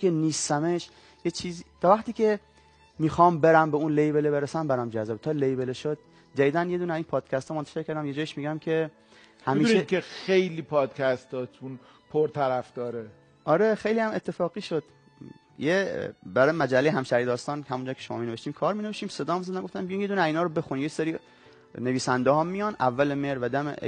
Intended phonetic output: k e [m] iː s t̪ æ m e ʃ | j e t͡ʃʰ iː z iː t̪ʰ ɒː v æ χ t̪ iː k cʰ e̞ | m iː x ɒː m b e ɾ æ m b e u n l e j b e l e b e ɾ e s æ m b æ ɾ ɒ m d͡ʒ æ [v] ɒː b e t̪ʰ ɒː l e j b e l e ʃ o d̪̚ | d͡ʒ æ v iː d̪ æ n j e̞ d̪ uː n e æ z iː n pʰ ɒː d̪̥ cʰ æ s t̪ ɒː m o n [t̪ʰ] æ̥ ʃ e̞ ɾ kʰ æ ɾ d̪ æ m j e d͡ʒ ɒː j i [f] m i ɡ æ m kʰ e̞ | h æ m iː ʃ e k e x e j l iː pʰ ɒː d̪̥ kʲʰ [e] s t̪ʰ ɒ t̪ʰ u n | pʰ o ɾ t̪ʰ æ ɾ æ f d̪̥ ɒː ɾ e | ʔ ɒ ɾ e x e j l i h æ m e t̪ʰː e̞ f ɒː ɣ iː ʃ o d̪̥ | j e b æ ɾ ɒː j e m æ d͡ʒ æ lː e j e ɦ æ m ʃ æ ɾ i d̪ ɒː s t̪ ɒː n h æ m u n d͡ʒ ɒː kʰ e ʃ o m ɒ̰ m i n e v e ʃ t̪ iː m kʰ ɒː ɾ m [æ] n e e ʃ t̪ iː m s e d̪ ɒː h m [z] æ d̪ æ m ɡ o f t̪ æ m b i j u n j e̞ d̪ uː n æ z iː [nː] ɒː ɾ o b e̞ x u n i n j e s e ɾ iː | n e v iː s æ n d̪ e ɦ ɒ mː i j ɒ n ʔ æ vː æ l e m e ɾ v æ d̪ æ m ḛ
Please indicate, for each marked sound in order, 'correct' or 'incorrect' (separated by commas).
incorrect, incorrect, incorrect, incorrect, incorrect, incorrect, correct, incorrect